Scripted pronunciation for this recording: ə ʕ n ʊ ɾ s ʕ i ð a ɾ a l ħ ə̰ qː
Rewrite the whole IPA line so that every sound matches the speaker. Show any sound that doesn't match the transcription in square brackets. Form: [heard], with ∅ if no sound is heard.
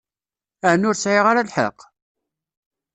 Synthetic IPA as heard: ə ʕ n ʊ ɾ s ʕ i [ʁ] a ɾ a l ħ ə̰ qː